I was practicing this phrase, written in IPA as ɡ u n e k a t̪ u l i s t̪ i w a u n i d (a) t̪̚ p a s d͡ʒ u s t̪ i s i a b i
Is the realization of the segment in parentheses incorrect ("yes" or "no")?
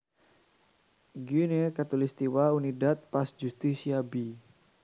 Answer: no